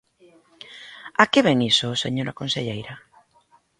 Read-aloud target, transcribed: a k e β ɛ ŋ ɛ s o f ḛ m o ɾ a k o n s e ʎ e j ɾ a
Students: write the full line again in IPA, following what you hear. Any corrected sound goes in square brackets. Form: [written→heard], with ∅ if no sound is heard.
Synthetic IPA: a k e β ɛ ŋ [ɛ→i] s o [f→s] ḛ [m→ɲ] o ɾ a k o n s e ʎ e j ɾ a